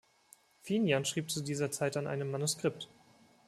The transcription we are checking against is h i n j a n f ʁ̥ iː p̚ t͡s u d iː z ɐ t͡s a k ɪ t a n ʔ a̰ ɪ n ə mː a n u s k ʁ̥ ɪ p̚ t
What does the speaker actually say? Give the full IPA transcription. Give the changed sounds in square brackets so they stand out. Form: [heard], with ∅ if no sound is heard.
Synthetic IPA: [f] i n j a n [ʃ] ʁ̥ iː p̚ t͡s u d iː z ɐ t͡s a [∅] ɪ t a n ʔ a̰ ɪ n ə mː a n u s k ʁ̥ ɪ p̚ t